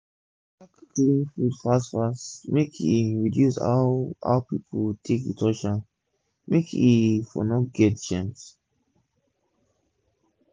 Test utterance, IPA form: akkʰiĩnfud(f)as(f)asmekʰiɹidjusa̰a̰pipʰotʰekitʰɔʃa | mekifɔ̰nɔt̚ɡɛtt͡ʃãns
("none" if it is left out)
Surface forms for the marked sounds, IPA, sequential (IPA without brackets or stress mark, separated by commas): f, f